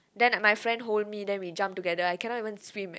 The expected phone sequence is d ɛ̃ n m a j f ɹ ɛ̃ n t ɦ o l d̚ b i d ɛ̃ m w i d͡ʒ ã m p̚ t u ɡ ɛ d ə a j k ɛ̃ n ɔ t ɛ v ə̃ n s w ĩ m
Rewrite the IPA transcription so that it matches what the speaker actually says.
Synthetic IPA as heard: d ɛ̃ n m a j f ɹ ɛ̃ n d ɦ o l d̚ m i d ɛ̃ n w i d͡ʒ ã m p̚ t u ɡ ɛ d ə a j k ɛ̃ n ɔ t i v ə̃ n s w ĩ m